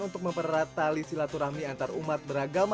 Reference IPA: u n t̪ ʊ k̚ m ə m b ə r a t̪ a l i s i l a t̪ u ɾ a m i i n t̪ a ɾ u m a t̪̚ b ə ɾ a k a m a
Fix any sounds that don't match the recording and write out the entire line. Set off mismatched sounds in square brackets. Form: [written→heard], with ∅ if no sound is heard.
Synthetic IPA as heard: u n t̪ ʊ k̚ m ə m [b→p] ə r a t̪ a l i s i l a t̪ u ɾ a m i [i→a] n t̪ a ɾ u m a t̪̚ b ə ɾ a [k→ɡ] a m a